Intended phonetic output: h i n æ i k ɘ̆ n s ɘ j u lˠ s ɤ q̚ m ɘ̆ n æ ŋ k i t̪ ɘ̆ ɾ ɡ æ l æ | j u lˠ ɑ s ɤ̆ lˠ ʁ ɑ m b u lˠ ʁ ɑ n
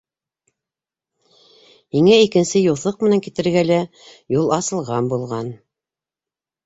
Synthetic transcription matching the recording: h i ŋ æ i k ɘ̆ n s ɘ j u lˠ θ ɤ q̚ m ɘ̆ n æ ŋ k i t̪ ɘ̆ ɾ ɡ æ l æ | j u lˠ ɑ s ɤ̆ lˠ ʁ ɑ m b u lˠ ʁ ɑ n